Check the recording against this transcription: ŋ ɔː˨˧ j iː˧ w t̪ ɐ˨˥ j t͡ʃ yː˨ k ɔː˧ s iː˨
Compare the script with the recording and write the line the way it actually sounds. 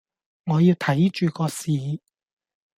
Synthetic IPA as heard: ŋ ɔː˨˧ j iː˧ w t̪ʰ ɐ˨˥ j t͡ʃ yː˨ k ɔː˧ s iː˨